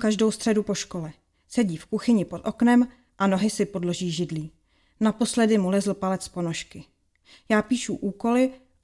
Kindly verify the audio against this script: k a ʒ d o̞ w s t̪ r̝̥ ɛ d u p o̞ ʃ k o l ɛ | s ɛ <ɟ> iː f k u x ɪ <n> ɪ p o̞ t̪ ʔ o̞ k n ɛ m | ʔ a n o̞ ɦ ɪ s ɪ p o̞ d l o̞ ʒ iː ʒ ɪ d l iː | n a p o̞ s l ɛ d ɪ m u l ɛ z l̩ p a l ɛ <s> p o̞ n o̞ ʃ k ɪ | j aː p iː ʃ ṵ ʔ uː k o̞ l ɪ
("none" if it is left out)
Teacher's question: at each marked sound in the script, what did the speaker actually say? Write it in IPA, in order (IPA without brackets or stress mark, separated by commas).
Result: ɟ, ɲ, t͡s